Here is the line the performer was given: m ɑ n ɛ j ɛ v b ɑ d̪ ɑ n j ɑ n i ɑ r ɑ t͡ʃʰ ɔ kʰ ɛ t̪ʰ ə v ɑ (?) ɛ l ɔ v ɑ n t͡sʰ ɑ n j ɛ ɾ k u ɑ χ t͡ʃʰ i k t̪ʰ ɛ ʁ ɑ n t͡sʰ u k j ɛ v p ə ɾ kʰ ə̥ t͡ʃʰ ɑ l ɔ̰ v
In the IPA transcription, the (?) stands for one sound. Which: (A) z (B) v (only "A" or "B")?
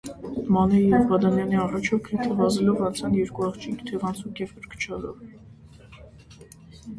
A